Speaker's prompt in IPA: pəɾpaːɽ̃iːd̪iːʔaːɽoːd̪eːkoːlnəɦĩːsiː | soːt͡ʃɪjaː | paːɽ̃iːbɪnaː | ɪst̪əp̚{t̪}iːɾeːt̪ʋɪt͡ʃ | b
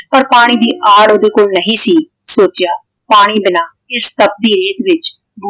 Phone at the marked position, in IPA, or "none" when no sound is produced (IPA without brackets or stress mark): d̪